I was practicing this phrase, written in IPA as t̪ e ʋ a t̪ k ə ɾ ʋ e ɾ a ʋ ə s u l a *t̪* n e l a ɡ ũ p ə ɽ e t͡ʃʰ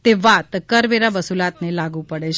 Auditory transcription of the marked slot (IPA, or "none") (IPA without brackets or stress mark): t̪